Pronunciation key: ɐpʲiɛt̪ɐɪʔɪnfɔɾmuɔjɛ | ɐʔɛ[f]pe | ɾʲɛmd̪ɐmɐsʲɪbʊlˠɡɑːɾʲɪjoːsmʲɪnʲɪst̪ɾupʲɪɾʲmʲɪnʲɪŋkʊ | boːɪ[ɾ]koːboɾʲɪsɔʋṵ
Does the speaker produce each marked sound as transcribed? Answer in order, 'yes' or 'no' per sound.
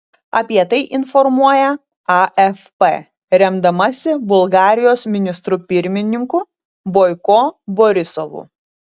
yes, no

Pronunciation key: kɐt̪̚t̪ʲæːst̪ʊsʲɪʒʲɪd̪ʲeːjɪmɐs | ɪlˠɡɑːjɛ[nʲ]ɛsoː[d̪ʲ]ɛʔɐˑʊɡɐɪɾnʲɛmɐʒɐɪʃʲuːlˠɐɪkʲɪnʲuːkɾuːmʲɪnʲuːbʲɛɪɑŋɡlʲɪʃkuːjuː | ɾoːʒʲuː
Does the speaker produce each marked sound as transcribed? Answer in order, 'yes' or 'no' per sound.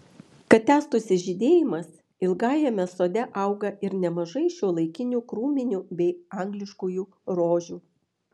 no, yes

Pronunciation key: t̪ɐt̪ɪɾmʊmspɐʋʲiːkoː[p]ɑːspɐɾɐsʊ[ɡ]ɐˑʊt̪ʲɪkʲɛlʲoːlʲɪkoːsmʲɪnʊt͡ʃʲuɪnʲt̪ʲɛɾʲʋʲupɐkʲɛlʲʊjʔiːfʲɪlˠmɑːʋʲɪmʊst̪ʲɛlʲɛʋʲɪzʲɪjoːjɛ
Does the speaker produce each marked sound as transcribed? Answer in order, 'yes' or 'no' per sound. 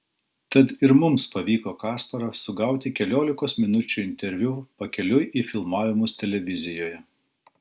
no, yes

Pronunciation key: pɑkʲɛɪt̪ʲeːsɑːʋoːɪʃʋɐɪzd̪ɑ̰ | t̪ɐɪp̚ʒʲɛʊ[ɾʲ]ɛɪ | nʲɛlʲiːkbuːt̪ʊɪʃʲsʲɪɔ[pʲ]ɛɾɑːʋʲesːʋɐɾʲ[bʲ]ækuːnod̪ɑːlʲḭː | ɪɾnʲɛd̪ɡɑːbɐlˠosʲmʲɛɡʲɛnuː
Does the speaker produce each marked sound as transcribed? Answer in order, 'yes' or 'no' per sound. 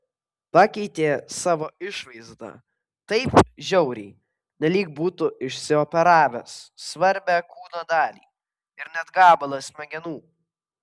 yes, yes, yes

